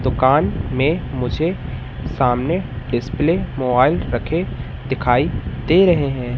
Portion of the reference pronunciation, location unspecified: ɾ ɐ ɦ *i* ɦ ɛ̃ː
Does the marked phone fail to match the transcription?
yes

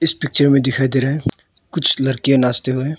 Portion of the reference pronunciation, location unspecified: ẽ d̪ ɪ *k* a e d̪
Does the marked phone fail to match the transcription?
yes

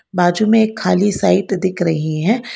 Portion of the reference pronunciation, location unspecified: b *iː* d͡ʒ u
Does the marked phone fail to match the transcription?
yes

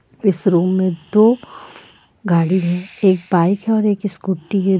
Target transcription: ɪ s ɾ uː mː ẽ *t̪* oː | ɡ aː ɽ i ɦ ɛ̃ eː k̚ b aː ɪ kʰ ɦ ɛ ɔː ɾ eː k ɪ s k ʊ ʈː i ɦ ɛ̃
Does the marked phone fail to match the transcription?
yes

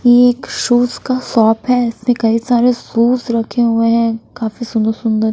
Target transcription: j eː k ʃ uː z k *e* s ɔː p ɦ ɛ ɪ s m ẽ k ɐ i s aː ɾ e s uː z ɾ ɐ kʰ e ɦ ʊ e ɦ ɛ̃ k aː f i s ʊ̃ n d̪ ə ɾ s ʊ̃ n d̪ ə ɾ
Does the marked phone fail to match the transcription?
yes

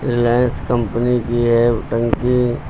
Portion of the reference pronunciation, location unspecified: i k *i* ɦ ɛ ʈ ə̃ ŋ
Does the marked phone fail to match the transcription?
no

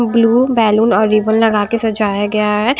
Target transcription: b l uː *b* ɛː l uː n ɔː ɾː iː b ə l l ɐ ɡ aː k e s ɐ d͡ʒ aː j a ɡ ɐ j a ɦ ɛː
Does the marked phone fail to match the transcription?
no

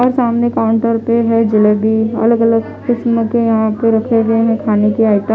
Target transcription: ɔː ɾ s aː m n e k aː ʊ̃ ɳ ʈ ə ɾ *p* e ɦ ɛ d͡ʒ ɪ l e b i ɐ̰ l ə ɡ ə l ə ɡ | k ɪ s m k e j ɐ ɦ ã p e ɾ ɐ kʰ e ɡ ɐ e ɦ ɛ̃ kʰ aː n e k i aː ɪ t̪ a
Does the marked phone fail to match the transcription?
no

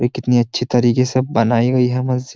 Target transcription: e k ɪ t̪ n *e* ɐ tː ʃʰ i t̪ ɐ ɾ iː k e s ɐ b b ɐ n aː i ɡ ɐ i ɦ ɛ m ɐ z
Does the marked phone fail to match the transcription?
yes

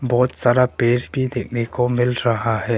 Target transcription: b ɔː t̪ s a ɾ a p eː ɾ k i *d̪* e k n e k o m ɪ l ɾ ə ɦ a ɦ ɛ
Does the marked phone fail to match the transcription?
no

